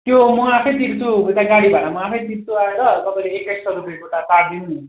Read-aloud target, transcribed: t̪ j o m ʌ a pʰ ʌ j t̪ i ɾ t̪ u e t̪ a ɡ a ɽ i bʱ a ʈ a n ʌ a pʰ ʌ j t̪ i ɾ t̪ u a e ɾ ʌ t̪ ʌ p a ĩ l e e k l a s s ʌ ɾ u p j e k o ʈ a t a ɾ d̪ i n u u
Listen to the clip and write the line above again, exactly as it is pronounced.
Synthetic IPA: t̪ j o m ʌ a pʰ ʌ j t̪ i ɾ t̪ u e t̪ a ɡ a ɽ i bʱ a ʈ a m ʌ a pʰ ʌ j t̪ i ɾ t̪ u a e ɾ ʌ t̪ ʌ p a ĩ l e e k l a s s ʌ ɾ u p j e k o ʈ a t a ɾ d̪ i n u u